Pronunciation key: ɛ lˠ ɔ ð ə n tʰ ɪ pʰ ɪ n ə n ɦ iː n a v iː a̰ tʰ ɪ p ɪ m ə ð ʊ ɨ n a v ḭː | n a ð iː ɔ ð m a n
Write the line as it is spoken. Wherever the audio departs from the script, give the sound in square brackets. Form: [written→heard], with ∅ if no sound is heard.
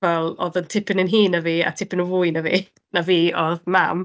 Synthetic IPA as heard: ɛ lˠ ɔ ð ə n tʰ ɪ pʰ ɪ n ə n ɦ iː n a v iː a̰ tʰ ɪ p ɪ [m→n] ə [ð→v] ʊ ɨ n a v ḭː | n a [ð→v] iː ɔ ð m a [n→m]